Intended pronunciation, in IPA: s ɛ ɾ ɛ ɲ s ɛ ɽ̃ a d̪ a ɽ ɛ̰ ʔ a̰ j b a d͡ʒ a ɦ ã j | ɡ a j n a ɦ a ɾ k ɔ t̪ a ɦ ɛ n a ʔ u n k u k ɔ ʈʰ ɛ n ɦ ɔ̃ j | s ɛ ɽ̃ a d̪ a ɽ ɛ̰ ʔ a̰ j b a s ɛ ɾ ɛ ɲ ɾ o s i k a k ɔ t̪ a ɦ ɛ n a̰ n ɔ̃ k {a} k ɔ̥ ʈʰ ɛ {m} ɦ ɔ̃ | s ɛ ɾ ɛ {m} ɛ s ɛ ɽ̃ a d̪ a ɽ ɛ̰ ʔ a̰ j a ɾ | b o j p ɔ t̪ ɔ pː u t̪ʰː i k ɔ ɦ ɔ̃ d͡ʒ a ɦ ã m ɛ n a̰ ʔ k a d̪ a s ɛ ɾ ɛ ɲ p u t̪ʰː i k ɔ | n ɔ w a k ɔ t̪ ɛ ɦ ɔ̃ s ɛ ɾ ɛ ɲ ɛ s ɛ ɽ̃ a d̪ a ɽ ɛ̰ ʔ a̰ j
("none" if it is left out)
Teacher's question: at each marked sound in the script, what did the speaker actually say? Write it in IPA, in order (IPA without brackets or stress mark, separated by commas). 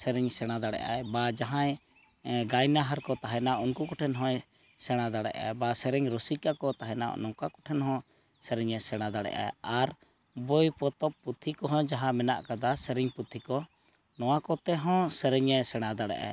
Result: a, n, ɲ